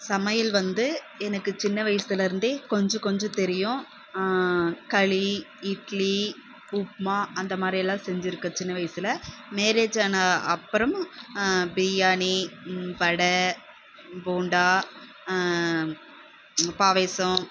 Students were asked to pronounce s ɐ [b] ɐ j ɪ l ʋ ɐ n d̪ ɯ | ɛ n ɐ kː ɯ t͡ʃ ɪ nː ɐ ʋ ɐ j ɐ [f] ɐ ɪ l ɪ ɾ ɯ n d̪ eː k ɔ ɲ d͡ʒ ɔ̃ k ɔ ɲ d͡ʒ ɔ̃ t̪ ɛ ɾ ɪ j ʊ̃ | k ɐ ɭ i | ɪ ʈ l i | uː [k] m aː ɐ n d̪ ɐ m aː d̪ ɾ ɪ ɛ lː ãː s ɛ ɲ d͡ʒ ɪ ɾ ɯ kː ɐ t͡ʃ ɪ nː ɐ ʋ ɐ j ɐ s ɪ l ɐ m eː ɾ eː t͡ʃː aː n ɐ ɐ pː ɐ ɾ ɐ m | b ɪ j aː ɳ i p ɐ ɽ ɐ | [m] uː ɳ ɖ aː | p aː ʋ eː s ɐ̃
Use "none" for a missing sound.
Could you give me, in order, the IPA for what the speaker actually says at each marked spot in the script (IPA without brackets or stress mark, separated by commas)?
m, s, p, b